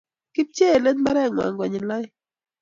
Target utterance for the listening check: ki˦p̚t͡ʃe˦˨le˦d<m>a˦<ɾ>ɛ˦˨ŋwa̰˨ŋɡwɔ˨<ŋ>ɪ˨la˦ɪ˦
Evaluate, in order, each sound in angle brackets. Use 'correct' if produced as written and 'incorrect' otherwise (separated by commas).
correct, correct, incorrect